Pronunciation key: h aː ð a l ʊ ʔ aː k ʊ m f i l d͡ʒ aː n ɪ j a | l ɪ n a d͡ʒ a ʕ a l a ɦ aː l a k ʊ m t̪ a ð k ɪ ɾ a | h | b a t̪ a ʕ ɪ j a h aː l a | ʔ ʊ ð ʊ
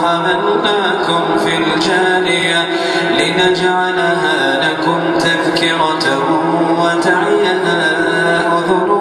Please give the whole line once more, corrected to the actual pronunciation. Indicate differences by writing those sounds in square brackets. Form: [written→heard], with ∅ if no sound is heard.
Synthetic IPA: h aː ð a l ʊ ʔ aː k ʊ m f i l d͡ʒ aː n ɪ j a | l ɪ n a d͡ʒ a ʕ a l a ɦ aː l a k ʊ m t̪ a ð k ɪ ɾ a | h | [b→w] a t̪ a ʕ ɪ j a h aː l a | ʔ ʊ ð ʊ